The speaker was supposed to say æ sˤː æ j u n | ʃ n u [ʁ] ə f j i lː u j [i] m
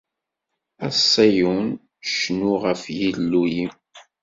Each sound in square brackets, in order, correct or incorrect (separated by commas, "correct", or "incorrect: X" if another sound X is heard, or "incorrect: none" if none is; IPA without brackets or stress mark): correct, correct